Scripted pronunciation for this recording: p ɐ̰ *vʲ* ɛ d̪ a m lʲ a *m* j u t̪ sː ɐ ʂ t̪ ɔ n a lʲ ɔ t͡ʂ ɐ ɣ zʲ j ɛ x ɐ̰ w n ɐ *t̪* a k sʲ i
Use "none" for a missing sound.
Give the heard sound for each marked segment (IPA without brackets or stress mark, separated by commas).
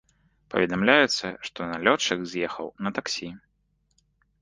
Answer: vʲ, none, t̪